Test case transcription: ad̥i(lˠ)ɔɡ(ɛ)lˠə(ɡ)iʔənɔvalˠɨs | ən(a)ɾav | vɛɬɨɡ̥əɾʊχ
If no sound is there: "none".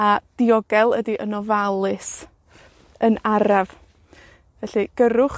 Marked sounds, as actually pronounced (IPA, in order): none, ɛ, d, a

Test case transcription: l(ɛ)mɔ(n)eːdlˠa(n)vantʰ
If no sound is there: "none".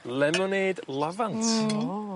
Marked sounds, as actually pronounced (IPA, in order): ɛ, n, none

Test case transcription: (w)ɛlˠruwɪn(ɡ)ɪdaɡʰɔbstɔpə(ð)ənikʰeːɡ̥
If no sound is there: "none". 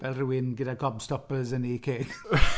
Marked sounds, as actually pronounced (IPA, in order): v, ɡ, z

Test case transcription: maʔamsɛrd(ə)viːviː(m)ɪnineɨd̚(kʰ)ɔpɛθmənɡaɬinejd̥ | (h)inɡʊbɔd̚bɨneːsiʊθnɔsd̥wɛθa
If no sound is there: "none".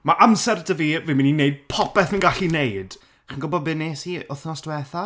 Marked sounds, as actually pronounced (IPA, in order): ə, m, pʰ, χ

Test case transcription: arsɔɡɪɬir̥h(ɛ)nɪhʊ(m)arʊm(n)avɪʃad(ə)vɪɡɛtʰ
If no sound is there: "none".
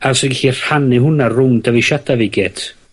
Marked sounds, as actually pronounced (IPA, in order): a, n, d, a

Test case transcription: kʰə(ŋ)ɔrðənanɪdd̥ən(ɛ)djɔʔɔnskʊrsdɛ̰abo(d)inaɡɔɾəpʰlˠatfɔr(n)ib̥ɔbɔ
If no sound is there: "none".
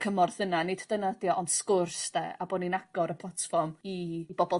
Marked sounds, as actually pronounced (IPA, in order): m, a, n, m

